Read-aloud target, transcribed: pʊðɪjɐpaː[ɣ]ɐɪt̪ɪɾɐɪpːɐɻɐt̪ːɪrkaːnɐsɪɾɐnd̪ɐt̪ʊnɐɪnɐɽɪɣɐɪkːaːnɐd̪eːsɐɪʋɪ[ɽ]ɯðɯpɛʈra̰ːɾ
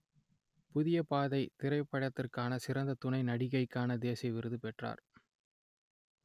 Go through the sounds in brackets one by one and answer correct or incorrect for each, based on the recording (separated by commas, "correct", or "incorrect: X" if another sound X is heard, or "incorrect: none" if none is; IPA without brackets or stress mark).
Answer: incorrect: ð, incorrect: ɾ